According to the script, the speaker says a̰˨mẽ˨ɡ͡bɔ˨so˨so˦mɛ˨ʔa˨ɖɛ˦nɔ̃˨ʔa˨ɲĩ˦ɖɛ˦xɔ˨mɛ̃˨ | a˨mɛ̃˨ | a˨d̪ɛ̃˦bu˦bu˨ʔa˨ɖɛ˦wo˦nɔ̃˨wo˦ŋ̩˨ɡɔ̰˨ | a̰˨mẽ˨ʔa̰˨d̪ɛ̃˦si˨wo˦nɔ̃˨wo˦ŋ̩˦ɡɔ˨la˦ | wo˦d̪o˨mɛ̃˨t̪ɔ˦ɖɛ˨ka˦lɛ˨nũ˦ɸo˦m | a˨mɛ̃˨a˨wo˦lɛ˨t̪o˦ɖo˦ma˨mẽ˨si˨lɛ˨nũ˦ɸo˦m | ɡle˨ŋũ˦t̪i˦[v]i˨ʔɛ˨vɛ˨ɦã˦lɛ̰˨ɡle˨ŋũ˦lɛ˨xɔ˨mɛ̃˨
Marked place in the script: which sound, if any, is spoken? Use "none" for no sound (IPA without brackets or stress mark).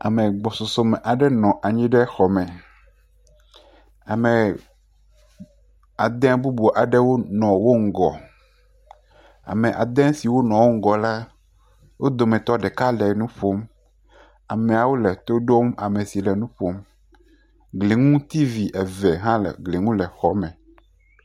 v